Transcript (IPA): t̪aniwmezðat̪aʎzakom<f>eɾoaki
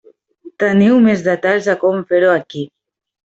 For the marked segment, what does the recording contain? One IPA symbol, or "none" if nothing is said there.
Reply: f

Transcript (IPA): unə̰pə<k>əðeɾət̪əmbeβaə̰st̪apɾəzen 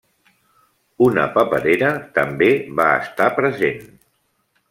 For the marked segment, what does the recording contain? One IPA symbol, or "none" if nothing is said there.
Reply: p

